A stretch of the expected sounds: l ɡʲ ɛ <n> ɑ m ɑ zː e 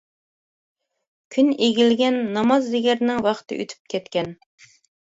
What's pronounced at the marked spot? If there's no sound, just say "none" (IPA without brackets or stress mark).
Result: nː